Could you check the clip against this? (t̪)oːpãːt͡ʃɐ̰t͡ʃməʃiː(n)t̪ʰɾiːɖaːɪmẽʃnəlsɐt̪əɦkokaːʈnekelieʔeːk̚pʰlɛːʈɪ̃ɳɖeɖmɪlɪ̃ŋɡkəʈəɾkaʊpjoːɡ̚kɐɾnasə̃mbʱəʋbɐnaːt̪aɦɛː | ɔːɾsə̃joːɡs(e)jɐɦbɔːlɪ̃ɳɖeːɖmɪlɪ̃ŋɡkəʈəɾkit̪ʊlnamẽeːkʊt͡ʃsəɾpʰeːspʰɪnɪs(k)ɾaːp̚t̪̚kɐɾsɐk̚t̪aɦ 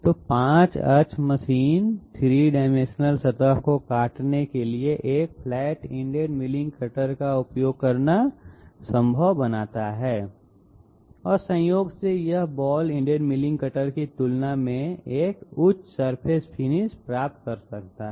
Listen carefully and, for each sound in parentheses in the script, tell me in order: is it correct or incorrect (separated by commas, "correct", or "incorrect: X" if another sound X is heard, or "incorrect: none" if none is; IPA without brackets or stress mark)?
correct, correct, correct, incorrect: p